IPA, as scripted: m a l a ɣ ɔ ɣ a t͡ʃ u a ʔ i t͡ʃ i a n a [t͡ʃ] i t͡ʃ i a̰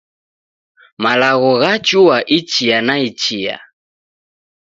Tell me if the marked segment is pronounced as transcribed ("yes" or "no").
no